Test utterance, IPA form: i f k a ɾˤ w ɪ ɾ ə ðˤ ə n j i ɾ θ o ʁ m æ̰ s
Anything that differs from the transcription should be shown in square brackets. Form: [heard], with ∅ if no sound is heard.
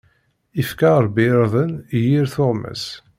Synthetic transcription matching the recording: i f k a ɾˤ [b] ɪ ɾ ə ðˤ ə n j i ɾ θ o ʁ m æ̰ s